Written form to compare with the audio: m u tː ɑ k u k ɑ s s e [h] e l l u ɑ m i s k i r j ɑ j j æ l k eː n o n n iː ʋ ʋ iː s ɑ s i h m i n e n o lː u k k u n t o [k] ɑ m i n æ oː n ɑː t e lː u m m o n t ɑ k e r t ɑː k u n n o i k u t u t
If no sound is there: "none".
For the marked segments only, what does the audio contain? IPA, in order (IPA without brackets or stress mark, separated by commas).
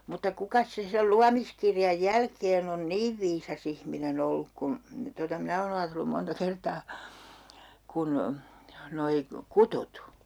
s, t